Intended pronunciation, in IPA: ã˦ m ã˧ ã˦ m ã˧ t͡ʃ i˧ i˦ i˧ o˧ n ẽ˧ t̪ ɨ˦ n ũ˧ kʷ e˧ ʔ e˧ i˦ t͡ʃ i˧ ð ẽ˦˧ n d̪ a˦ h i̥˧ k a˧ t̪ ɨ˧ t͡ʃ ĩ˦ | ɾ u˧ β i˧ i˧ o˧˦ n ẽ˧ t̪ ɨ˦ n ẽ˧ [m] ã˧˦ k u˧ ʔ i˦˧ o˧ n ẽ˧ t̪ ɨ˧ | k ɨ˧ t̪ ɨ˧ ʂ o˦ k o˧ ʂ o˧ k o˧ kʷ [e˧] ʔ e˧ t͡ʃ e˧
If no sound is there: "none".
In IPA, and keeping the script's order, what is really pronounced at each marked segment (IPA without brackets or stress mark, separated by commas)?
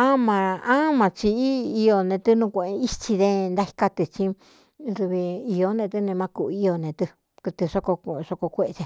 m, e˧